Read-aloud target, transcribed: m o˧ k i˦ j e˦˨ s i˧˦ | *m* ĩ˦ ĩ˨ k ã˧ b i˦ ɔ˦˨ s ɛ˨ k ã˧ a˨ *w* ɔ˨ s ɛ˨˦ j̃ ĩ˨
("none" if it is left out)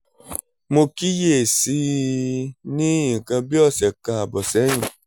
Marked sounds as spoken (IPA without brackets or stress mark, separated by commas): n, b